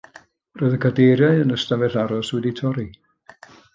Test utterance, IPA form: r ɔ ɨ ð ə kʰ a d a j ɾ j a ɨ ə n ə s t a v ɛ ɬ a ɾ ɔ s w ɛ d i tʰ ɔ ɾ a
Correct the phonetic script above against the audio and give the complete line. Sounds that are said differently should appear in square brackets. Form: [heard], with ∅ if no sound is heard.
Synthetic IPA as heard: r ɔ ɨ ð ə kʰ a d [e] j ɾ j a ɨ ə n ə s t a v ɛ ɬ a ɾ ɔ s w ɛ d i tʰ ɔ ɾ [i]

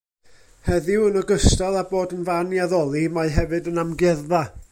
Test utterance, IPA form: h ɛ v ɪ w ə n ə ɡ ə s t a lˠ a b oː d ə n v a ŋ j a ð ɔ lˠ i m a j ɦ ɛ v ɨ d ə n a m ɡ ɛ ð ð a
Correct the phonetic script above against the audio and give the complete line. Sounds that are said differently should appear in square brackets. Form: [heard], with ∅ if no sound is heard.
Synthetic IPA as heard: h ɛ [ð] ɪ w ə n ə ɡ ə s t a lˠ a b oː d ə n v a [n] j a ð ɔ lˠ i m a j ɦ ɛ v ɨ d ə n a m ɡ ɛ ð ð a

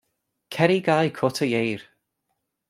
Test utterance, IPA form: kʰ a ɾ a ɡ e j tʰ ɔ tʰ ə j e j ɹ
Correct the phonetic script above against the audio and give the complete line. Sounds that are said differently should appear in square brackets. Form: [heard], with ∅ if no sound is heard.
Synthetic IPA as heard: kʰ [ɛ] ɾ [i] ɡ [a] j [kʰ] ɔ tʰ ə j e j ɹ

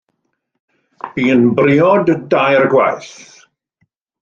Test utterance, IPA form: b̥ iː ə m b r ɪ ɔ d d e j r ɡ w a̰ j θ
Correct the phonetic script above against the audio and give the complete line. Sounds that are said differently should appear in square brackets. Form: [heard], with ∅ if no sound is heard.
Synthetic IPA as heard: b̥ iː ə [n] b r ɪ ɔ d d [a] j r ɡ w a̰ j θ

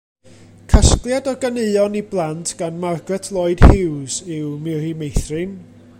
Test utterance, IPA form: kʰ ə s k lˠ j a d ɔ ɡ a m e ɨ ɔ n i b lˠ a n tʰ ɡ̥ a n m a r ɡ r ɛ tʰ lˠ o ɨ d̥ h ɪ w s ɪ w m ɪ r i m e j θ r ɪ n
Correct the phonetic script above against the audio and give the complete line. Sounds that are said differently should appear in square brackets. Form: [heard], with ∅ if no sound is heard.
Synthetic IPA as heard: kʰ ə s k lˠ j a d ɔ ɡ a [n] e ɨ ɔ n i b lˠ a n tʰ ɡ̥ a n m a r ɡ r ɛ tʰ lˠ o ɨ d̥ h ɪ w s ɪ w m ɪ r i m e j θ r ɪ n

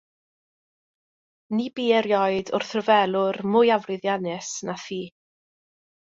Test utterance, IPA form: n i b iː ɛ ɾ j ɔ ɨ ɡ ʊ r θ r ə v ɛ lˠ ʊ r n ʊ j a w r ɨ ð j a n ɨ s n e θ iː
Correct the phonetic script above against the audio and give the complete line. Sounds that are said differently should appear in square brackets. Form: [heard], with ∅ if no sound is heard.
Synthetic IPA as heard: n i b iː ɛ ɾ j ɔ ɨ [d] ʊ r θ r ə v ɛ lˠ ʊ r [m] ʊ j a [v] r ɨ ð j a n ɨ s n [a] θ iː

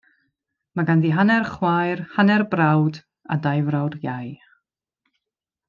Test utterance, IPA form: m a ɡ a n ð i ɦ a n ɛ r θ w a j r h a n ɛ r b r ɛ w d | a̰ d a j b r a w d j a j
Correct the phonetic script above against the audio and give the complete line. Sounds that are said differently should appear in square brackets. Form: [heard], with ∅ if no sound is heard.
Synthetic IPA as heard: m a ɡ a n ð i ɦ a n ɛ r [χ] w a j r h a n ɛ r b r [a] w d | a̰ d a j [v] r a w d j a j

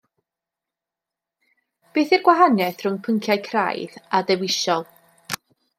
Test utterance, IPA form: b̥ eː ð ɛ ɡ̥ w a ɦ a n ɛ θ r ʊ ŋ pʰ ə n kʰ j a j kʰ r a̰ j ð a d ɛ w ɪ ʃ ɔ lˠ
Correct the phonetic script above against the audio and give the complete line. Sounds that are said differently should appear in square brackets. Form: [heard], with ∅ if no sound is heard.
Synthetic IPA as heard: b̥ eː [θ] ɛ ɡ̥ w a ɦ a n ɛ θ r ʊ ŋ pʰ ə [ŋ] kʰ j a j kʰ r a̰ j ð a d ɛ w ɪ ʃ ɔ lˠ

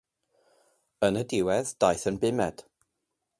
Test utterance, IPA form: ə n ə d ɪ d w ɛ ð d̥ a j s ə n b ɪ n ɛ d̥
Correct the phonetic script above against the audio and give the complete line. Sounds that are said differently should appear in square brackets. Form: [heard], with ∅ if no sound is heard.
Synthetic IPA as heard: ə n ə d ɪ [∅] w ɛ ð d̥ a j [θ] ə n b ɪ [m] ɛ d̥

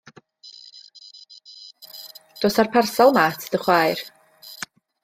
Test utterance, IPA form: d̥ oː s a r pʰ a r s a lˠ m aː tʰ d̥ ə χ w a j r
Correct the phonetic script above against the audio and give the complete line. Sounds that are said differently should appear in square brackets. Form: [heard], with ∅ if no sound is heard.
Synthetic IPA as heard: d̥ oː s a r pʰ a r s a lˠ m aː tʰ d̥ ə χ w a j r

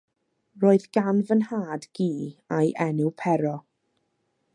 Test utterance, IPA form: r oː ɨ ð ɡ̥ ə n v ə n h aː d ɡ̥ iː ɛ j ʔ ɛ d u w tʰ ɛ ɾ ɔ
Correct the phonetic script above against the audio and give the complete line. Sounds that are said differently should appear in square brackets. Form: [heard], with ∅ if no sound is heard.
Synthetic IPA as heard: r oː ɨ ð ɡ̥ [a] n v ə n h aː d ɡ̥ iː [a] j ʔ ɛ [n] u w [pʰ] ɛ ɾ ɔ

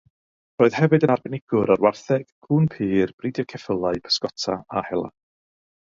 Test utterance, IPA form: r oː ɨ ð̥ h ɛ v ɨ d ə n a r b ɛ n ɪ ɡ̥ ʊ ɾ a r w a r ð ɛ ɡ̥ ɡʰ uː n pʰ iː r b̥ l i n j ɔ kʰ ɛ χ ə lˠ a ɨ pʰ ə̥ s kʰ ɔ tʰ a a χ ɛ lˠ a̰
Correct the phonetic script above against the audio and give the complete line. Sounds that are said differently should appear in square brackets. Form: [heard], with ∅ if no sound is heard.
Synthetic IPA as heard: r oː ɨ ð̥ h ɛ v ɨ d ə n a r b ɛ n ɪ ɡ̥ ʊ ɾ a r w a r [θ] ɛ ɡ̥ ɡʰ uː n pʰ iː r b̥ [r] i [d] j ɔ kʰ ɛ [f] ə lˠ a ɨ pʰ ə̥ s [k] ɔ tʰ a a [h] ɛ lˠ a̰

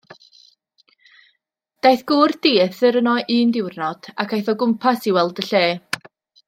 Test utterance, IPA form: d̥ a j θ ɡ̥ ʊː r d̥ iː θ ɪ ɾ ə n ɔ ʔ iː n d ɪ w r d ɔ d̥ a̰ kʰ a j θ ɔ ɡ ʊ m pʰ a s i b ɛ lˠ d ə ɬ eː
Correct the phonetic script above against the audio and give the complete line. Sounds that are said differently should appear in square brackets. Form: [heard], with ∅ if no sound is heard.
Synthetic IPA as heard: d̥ a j θ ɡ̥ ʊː r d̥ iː θ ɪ ɾ ə n ɔ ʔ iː n d ɪ w r [n] ɔ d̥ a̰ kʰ a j θ ɔ ɡ ʊ m pʰ a s i [w] ɛ lˠ d ə ɬ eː

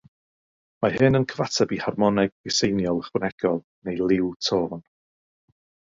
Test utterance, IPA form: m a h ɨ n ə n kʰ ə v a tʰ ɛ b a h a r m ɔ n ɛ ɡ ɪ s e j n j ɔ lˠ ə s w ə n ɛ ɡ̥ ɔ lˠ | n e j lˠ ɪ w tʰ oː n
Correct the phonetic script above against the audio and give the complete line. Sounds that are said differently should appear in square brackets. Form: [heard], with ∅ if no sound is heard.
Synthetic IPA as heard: m a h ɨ n ə n kʰ ə v a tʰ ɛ b [i] h a r m ɔ n ɛ ɡ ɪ s e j n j ɔ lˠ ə [χ] w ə n ɛ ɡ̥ ɔ lˠ | n e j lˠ ɪ w tʰ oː n

